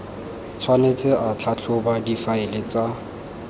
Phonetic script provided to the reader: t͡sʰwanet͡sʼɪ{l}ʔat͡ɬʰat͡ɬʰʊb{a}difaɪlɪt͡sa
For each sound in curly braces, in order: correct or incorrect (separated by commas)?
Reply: incorrect, correct